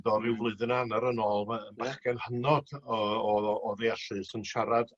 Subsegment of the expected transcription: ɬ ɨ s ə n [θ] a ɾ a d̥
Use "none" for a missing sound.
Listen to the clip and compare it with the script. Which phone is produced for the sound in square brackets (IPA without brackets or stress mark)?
ʃ